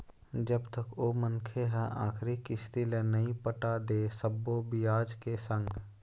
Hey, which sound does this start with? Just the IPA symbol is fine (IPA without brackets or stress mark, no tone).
d͡ʒ